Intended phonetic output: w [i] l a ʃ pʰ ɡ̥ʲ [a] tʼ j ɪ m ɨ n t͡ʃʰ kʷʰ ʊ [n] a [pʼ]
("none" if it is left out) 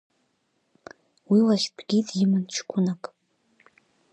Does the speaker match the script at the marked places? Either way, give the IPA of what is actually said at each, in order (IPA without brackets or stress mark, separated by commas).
i, i, n, kʼ